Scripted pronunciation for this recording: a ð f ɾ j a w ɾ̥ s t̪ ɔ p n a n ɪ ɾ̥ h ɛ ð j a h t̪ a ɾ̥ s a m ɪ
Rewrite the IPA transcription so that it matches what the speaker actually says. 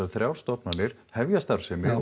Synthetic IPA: a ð θ ɾ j a w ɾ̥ s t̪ ɔ p n a n ɪ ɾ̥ h ɛ v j a s t̪ a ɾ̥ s ɛ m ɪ